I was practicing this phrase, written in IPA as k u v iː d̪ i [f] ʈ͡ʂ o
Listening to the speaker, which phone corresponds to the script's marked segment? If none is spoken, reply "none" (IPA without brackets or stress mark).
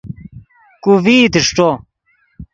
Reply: ʂ